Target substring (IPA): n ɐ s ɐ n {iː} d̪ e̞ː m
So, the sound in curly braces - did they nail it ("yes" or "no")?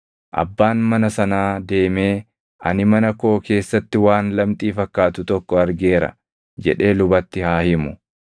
no